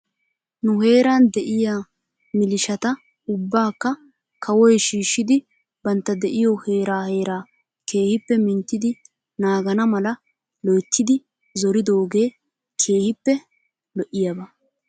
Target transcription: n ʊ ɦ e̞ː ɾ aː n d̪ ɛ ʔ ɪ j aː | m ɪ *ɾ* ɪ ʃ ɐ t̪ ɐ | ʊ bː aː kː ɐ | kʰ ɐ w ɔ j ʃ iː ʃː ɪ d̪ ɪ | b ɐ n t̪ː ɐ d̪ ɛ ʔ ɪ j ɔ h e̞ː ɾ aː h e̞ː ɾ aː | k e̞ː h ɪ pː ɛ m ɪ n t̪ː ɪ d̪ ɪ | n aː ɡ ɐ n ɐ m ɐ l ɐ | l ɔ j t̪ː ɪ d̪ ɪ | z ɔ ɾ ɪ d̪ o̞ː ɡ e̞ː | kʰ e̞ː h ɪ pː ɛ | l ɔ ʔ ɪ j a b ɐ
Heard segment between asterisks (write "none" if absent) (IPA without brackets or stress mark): l